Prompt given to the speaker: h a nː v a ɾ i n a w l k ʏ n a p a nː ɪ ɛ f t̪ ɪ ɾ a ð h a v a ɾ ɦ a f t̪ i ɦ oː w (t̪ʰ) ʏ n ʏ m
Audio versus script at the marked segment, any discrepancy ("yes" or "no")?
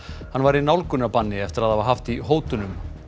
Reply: yes